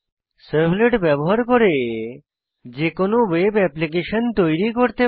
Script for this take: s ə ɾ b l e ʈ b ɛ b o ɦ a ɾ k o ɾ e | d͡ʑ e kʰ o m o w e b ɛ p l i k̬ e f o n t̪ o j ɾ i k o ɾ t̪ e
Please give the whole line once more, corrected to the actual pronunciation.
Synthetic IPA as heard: s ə ɾ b l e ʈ b ɛ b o ɦ a ɾ k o ɾ e | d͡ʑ e k o n o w e b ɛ p l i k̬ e ʃ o n t̪ o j ɾ i k o ɾ t̪ e